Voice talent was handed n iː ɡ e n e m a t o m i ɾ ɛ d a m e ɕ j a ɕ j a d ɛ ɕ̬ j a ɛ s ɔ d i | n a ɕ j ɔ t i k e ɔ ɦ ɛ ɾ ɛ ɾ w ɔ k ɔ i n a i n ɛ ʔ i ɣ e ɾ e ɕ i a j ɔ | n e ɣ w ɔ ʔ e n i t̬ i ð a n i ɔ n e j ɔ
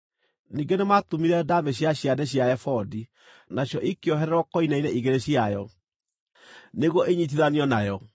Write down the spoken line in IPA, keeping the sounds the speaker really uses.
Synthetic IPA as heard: n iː ɡ e n e m a t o m i ɾ ɛ d a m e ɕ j a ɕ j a d ɛ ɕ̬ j a ɛ f ɔ d i | n a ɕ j ɔ ʔ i k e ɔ ɦ ɛ ɾ ɛ ɾ w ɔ k ɔ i n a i n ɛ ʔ i ɣ e ɾ e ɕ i a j ɔ | n e ɣ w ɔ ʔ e ɲ i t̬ i ð a n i ɔ n a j ɔ